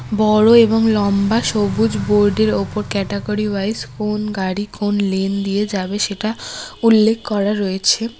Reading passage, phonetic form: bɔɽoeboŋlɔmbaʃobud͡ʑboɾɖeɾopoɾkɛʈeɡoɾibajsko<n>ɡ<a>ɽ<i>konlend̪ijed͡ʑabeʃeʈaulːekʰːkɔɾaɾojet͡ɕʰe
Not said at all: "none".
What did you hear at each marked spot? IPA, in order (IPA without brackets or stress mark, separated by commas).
n, a, i